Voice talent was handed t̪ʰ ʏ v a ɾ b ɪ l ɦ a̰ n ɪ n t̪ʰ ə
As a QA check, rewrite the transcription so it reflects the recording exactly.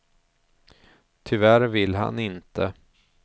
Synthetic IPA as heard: t̪ʰ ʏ v æ ɾ v ɪ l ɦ a̰ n ɪ n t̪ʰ ə